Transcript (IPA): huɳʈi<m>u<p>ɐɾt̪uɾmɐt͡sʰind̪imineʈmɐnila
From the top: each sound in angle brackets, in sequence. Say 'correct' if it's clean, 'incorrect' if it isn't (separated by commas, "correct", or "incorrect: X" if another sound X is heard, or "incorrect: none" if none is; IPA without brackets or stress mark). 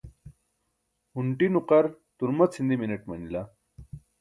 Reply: incorrect: n, incorrect: q